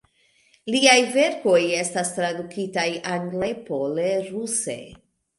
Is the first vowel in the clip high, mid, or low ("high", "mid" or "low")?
high